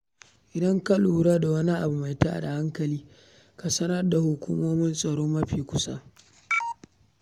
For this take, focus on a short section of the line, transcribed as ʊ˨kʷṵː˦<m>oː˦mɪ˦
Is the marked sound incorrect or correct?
correct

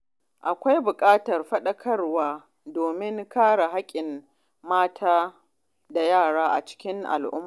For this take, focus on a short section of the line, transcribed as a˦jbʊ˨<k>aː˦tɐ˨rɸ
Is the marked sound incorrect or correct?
incorrect: kʼ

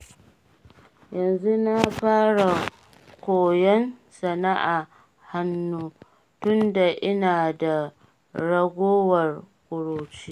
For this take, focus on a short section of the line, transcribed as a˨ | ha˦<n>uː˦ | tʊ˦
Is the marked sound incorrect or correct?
incorrect: nː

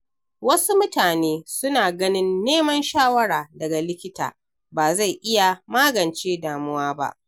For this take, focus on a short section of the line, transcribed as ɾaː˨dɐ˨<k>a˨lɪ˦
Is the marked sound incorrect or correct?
incorrect: ɡ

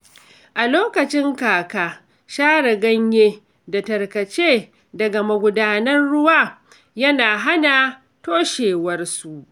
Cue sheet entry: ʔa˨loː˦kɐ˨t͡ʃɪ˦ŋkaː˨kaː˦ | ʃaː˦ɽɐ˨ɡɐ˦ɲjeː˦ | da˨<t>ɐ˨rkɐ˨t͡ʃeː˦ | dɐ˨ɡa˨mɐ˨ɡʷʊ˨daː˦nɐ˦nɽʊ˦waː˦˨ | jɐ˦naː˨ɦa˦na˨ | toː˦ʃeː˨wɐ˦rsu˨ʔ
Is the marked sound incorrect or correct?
correct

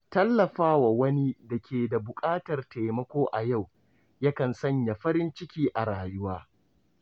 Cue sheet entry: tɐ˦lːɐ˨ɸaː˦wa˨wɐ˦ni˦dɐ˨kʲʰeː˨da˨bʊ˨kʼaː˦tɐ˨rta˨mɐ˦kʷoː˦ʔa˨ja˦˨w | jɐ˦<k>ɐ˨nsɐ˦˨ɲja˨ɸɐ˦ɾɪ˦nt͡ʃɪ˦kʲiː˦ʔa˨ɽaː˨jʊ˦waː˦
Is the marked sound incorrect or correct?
correct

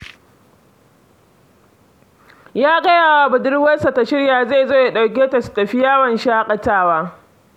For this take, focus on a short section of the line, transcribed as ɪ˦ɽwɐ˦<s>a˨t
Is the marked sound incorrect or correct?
correct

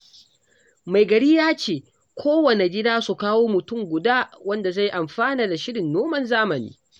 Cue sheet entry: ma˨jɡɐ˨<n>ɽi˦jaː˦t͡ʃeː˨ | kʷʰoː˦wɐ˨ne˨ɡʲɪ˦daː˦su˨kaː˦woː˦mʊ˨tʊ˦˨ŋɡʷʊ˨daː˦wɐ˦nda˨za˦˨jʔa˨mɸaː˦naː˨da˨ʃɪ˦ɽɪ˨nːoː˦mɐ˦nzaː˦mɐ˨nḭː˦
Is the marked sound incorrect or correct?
incorrect: none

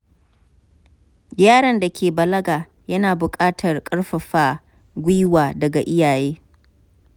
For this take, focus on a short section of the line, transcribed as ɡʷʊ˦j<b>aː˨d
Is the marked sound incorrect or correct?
incorrect: w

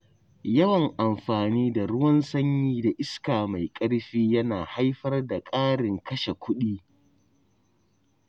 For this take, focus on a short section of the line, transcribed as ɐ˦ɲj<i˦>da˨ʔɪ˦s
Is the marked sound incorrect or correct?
incorrect: iː˦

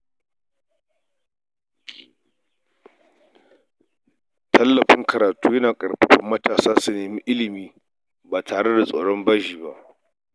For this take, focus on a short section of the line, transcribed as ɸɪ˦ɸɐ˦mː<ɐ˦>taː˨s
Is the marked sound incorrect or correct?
correct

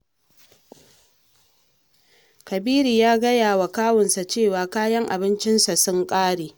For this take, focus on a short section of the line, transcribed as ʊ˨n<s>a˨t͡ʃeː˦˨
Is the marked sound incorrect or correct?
correct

